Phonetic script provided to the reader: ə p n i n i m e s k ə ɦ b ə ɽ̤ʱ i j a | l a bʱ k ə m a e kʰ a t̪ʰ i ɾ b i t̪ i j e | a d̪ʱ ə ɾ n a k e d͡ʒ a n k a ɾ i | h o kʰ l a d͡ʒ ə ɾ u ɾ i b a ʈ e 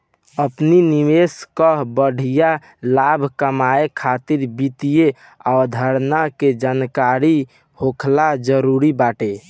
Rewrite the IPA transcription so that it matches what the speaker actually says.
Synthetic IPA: ə p n i n i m e s k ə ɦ b ə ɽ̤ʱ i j a | l a bʱ k ə m a e kʰ a t̪ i ɾ b i t̪ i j e | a d̪ʱ ə ɾ n a k e d͡ʒ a n k a ɾ i | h o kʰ l a d͡ʒ ə ɾ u ɾ i b a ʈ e